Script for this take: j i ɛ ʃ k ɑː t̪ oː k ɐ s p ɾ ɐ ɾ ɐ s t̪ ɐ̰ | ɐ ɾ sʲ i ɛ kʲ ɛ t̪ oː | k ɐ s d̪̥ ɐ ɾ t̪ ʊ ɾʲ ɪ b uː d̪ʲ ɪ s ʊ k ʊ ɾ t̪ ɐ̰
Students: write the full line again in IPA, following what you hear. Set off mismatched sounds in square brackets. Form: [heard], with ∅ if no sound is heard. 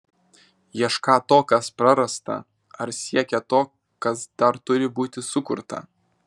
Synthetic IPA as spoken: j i ɛ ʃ k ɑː t̪ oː k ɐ s p ɾ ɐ ɾ ɐ s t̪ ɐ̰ | ɐ ɾ sʲ i ɛ kʲ ɛ t̪ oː | k ɐ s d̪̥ ɐ ɾ t̪ ʊ ɾʲ ɪ b uː [t̪ʲ] ɪ s ʊ k ʊ ɾ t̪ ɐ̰